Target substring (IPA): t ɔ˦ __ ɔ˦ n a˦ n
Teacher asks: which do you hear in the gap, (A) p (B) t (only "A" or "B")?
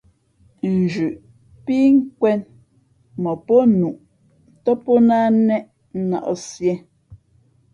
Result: A